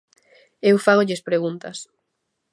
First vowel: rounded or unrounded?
unrounded